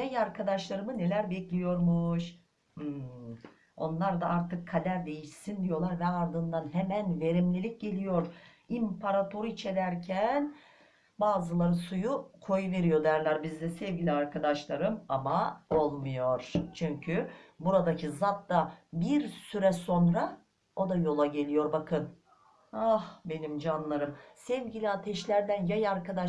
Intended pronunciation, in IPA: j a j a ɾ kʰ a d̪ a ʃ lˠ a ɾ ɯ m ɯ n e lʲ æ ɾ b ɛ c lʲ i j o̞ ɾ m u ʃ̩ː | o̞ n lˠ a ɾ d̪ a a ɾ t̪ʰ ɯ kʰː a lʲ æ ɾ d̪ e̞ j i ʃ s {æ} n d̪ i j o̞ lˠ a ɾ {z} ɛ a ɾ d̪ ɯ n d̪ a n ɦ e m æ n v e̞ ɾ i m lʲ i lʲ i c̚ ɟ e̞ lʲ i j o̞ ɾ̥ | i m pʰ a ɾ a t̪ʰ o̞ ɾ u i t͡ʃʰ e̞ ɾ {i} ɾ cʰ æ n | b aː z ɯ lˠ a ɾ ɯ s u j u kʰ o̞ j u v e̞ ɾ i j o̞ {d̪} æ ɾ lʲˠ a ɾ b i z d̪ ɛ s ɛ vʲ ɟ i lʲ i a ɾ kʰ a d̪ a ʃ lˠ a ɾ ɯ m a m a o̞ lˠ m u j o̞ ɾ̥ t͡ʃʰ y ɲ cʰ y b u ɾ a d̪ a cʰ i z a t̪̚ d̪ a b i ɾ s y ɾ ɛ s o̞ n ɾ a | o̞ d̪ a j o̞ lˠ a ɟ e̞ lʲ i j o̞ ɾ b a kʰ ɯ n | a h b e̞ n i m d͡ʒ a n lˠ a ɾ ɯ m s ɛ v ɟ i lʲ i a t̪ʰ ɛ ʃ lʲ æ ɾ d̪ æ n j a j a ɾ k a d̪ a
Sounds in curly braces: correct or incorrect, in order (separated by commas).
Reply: incorrect, incorrect, incorrect, correct